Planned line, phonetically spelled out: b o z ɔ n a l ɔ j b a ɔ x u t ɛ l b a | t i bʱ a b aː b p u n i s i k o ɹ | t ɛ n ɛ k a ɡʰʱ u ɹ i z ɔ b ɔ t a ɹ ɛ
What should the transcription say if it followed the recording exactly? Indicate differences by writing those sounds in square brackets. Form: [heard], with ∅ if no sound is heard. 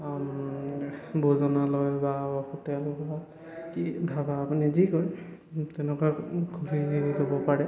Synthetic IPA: b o z ɔ n a l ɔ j b a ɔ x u t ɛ l b a | [k] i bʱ a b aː [∅] p u n i [z] i k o ɹ | t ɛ n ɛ k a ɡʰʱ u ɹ i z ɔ b ɔ [p] a ɹ ɛ